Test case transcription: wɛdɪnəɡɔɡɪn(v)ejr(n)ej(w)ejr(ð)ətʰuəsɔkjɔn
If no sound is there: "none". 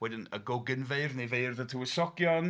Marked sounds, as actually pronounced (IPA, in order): v, n, v, ð

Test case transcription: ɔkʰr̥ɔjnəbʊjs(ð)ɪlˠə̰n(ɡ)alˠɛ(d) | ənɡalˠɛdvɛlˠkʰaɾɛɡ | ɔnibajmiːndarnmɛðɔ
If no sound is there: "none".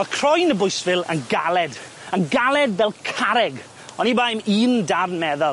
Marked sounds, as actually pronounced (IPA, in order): v, ɡ, d

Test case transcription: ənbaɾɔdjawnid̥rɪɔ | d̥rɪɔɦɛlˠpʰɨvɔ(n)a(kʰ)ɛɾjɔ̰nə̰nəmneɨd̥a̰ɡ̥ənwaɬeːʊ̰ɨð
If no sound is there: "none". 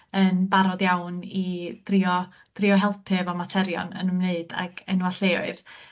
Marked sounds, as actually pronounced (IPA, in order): m, tʰ

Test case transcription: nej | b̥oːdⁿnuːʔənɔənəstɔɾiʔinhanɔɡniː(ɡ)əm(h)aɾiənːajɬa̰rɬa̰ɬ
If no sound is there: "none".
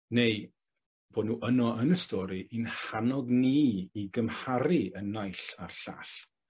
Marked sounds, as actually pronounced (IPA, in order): ɡ, h

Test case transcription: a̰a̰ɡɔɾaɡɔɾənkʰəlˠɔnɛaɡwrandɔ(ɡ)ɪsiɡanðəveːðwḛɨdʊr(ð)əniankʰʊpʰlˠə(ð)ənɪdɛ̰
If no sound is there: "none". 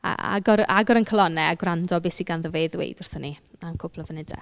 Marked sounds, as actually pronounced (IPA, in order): b, θ, v

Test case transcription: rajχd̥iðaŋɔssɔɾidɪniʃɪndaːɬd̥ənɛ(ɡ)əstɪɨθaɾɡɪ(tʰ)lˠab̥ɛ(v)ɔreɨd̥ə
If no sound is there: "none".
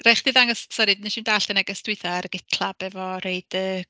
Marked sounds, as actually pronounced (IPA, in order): ɡ, tʰ, v

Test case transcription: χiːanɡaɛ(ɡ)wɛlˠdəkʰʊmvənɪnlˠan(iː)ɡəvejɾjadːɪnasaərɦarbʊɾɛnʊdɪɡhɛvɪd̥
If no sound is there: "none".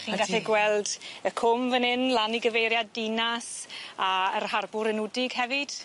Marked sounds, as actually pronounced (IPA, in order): ɡ, i

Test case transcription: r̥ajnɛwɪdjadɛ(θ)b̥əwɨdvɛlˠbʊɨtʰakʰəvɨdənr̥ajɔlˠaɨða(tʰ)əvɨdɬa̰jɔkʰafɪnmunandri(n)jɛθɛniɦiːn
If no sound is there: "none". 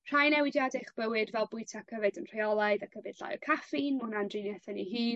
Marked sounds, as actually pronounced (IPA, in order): χ, kʰ, n

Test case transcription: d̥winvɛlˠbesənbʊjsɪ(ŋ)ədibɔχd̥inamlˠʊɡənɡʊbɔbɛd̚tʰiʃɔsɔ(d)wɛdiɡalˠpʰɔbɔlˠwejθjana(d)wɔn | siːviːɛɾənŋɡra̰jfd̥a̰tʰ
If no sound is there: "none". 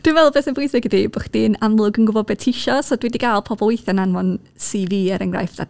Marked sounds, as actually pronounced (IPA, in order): ɡ, d, n

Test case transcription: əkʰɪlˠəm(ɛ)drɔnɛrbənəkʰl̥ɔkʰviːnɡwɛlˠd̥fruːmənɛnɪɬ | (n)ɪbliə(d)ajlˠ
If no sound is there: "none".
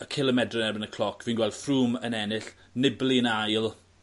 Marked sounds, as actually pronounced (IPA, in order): ɛ, n, n

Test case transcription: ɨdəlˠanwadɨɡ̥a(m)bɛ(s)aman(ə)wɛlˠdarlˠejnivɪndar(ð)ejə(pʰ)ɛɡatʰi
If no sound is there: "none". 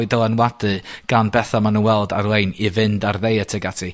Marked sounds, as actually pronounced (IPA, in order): n, θ, ə, ð, tʰ

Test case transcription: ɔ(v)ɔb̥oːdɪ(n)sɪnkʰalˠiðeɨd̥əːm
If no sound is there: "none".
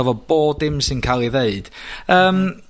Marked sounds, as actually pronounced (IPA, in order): v, m

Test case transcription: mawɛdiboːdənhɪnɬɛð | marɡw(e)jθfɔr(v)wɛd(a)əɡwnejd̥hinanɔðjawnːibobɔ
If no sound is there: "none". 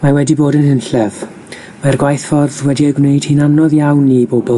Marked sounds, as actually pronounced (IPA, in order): a, ð, i

